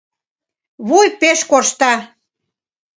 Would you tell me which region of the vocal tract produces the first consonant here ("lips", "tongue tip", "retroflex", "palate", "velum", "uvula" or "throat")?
lips